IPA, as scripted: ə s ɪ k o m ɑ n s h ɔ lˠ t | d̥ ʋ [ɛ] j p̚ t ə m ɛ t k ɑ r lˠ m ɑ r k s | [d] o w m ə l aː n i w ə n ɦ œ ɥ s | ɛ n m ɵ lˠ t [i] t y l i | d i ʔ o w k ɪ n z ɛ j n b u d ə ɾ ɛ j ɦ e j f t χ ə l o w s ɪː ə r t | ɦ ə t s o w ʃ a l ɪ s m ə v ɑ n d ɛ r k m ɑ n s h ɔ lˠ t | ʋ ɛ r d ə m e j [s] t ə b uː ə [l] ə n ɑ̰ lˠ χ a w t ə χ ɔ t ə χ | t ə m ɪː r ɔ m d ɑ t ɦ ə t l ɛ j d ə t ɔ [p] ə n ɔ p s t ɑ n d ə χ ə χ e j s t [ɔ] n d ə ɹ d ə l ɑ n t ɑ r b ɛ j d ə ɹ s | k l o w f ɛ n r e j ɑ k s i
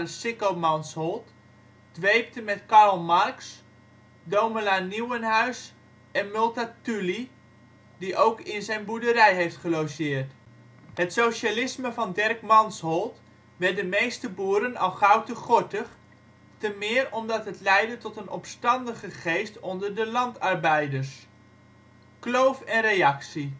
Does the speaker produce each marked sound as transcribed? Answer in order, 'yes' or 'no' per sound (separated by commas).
no, yes, no, yes, no, no, yes